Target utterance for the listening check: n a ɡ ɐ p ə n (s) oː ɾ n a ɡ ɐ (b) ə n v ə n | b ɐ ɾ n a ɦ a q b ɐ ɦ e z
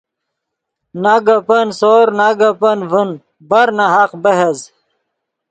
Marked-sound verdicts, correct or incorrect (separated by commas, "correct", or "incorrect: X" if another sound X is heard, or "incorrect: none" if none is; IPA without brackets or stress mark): correct, incorrect: p